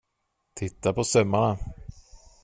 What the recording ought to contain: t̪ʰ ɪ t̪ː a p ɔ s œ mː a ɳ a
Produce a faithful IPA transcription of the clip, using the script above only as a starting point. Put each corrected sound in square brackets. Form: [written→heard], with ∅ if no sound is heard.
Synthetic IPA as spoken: t̪ʰ ɪ t̪ː a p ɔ s œ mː a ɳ a